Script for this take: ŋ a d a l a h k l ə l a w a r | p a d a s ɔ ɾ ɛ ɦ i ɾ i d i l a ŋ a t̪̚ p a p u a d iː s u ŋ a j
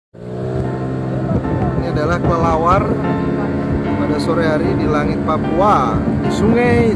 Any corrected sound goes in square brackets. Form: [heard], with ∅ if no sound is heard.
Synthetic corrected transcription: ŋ a d a l a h k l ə l a w a r | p a d a s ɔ ɾ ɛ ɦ [a] ɾ i d i l a ŋ [i] t̪̚ p a p u a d [i] s u ŋ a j